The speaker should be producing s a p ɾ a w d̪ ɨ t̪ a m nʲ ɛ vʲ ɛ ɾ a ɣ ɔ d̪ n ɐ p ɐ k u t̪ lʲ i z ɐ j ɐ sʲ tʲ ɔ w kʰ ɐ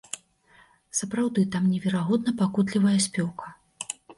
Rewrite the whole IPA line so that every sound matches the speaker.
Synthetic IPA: s ɐ p ɾ a w d̪ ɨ t̪ a m nʲ ɛ vʲ ɛ ɾ a ɣ ɔ d̪ n ɐ p a k u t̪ lʲ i v ɐ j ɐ sʲ pʲ ɔ w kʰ ɐ